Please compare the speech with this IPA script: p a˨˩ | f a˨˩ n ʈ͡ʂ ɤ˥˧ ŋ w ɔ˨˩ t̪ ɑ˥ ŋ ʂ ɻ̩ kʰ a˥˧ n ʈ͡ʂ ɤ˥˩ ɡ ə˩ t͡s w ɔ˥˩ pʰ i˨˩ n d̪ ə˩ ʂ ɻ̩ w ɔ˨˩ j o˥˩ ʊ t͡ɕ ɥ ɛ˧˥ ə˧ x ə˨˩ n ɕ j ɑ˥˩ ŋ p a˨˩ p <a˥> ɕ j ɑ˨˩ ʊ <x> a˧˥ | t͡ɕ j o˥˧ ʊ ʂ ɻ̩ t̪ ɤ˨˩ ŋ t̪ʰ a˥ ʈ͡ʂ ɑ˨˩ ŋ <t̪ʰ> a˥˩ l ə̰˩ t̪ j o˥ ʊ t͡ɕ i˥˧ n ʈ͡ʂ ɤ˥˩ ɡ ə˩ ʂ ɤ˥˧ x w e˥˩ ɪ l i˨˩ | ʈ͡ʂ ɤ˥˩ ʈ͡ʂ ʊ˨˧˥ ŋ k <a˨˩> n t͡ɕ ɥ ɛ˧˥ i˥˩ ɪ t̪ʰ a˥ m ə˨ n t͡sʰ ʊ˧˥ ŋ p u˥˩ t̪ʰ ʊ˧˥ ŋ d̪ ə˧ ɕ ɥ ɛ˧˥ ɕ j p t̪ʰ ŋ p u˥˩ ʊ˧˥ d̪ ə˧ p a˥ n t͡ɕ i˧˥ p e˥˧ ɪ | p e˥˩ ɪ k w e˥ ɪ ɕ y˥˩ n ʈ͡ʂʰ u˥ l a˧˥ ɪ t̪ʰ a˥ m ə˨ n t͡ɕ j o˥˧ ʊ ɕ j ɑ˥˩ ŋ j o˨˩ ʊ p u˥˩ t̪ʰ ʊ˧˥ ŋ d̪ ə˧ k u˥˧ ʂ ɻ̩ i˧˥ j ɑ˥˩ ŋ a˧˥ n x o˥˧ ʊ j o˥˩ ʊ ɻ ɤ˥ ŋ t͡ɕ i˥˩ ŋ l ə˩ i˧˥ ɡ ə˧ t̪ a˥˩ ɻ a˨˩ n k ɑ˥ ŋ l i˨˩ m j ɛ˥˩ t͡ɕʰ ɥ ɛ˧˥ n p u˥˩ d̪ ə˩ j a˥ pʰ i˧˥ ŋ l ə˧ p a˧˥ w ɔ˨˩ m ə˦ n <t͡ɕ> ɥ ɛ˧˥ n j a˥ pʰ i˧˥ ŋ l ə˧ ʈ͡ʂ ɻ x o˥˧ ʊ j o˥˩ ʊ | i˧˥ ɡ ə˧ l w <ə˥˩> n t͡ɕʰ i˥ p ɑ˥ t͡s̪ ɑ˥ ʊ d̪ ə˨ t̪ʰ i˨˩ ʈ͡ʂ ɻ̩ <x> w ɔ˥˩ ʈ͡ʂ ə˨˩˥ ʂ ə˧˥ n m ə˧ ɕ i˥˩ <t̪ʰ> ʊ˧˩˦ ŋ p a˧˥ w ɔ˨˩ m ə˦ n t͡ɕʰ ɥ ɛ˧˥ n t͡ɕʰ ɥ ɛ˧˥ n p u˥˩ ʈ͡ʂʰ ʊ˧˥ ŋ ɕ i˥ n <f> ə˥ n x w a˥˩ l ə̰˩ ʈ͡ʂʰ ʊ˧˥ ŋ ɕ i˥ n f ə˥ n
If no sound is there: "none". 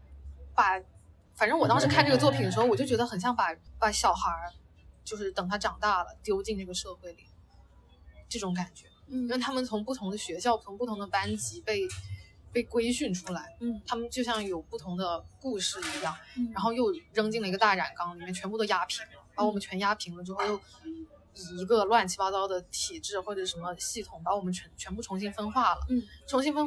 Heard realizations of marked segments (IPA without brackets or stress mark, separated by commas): a˨˩, x, t̪, a˨˩, t͡ɕʰ, a˥˩, x, t̪ʰ, f